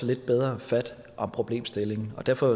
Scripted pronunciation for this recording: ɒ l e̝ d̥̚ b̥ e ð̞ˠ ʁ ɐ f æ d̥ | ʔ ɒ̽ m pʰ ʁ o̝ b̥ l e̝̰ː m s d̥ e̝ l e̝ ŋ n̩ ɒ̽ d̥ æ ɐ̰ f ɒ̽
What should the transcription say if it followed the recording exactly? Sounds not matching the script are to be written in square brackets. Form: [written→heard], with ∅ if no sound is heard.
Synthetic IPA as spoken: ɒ l e̝ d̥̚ b̥ e ð̞ˠ ʁ ɐ f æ d̥ | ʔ ɒ̽ m pʰ ʁ o̝ b̥ l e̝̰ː m s d̥ e̝ l e̝ ŋ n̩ ɒ̽ d̥ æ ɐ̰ f ɒ̽